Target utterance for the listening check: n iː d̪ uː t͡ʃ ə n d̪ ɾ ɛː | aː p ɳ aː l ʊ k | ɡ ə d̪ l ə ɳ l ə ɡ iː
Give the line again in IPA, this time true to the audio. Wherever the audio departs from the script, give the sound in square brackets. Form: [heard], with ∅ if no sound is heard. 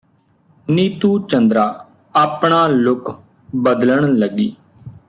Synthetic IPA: n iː [t̪] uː t͡ʃ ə n d̪ ɾ [aː] | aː p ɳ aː l ʊ k | [b] ə d̪ l ə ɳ l ə ɡ iː